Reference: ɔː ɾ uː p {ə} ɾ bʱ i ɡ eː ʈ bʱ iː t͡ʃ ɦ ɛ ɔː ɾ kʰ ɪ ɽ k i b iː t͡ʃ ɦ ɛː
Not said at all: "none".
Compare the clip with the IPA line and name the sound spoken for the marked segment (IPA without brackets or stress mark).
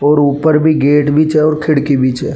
ə